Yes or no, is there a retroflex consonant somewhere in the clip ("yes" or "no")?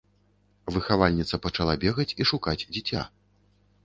yes